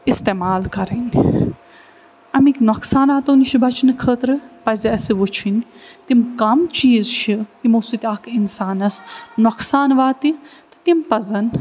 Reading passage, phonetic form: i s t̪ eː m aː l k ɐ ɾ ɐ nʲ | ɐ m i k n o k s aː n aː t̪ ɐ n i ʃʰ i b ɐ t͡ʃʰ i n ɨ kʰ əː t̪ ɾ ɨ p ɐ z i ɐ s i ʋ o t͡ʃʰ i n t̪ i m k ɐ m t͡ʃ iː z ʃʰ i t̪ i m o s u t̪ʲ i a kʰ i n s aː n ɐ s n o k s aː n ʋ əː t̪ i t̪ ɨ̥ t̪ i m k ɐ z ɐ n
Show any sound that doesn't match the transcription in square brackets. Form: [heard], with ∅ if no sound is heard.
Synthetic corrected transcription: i s t̪ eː m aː l k ɐ ɾ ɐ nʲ | ɐ m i k n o k s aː n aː t̪ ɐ n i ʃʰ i b ɐ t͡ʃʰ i n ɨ kʰ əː t̪ ɾ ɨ p ɐ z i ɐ s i ʋ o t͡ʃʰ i n t̪ i m k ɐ m t͡ʃ iː z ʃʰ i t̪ i m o s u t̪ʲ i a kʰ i n s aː n ɐ s n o k s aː n ʋ [aː] t̪ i t̪ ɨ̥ t̪ i m [p] ɐ z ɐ n